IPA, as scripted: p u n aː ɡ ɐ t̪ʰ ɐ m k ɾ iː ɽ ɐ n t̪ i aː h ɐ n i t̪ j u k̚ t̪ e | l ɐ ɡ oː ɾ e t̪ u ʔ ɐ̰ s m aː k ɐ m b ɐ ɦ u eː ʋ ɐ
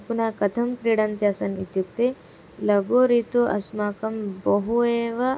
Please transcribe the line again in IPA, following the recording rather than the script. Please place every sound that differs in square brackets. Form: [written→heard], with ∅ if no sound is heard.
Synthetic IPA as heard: p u n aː [ɡ→k] ɐ t̪ʰ ɐ m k ɾ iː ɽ ɐ n t̪ [i→j] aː [h→s] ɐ n i t̪ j u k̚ t̪ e | l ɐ ɡ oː ɾ [e→i] t̪ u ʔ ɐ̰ s m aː k ɐ m b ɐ ɦ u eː ʋ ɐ